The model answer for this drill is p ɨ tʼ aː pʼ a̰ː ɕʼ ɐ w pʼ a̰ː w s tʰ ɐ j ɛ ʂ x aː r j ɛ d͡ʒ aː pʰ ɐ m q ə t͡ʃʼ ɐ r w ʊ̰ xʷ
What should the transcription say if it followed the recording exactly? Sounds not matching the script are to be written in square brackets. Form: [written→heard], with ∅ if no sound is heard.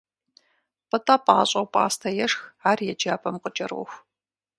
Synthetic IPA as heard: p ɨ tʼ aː pʼ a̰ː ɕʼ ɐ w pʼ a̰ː [w→∅] s tʰ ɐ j ɛ ʂ x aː r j ɛ d͡ʒ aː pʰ ɐ m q ə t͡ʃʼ ɐ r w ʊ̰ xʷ